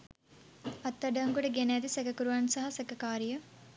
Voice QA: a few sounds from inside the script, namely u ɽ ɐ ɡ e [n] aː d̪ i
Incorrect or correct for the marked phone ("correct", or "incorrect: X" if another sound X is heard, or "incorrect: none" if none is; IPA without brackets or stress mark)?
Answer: correct